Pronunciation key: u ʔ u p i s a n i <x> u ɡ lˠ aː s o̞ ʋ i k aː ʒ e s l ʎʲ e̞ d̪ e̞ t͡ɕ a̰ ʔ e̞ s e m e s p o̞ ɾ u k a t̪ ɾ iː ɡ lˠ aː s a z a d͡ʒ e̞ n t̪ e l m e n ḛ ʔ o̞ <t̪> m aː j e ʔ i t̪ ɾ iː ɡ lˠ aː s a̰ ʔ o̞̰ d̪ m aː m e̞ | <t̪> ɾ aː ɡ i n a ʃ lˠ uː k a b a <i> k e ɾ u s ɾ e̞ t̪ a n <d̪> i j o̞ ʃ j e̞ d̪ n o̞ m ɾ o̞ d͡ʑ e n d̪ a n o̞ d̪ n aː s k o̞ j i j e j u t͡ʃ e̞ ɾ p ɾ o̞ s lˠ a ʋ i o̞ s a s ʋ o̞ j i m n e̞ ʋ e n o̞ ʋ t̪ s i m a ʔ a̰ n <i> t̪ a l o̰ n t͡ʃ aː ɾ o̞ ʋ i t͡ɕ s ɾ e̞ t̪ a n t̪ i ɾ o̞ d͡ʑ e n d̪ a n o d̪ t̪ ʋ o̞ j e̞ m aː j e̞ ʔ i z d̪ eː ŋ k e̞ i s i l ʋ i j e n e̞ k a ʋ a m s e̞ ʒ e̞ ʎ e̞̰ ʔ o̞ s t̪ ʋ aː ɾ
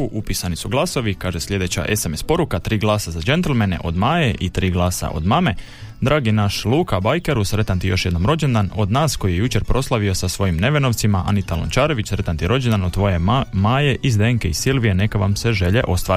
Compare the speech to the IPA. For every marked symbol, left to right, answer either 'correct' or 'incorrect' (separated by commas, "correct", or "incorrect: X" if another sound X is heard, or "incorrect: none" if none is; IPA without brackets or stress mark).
incorrect: s, incorrect: d̪, incorrect: d̪, incorrect: j, incorrect: t̪, correct